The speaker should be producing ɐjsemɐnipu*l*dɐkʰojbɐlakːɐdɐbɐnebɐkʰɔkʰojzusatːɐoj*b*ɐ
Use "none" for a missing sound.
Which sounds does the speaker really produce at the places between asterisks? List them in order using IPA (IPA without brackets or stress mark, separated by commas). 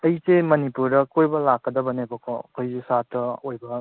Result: ɾ, b